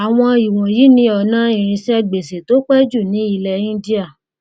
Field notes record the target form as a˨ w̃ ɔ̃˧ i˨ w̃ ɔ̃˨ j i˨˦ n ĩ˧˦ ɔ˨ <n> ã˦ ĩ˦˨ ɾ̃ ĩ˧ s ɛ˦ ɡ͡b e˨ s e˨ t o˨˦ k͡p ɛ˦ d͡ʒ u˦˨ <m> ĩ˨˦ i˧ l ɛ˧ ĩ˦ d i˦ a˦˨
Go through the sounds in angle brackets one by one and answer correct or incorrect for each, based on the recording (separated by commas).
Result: correct, incorrect